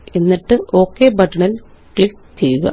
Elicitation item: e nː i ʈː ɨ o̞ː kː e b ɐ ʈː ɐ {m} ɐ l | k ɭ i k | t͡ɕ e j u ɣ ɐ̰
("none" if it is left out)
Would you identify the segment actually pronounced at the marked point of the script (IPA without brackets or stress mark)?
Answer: ɳ